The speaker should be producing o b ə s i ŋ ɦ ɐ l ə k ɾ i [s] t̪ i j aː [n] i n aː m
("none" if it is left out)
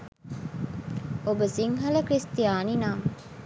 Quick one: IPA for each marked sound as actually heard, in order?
s, n

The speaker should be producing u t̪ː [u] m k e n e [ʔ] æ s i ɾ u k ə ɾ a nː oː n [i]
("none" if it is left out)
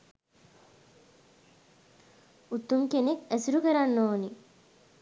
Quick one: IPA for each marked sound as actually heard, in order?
u, k, i

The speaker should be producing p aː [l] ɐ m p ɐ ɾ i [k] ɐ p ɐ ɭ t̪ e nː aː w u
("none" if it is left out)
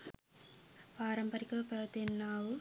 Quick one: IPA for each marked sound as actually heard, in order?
ɾ, k

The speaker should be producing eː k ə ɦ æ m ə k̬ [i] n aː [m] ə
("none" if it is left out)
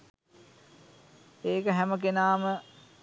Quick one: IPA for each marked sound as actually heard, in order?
e, m

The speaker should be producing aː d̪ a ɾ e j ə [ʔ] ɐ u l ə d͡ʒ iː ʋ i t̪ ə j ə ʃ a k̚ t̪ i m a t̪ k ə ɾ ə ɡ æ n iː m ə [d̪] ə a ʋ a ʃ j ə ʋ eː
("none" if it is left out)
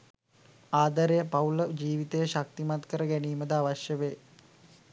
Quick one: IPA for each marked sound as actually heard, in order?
p, d̪

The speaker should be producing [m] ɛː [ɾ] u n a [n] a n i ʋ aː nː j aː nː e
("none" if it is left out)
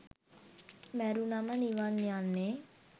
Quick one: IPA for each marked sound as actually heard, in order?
m, ɾ, m

